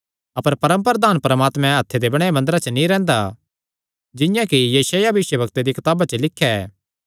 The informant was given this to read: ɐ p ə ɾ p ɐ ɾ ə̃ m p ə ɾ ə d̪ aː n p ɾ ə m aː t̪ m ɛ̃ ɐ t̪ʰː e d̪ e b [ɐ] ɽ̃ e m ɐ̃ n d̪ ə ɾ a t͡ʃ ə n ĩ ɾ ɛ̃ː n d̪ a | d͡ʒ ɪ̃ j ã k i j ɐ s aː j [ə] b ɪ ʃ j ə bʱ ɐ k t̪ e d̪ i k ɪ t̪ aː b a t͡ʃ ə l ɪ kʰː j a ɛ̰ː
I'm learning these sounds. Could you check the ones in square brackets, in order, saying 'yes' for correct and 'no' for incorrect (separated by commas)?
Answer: yes, no